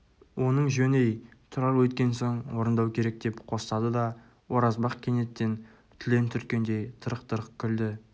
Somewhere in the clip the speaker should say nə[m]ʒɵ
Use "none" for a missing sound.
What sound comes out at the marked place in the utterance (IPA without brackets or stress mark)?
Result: ɴ